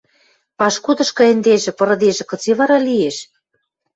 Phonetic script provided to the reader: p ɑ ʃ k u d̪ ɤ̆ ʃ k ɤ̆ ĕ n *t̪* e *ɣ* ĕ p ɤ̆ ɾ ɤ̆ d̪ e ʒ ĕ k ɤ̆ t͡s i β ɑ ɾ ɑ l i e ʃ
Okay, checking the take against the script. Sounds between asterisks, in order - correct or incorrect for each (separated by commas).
incorrect, incorrect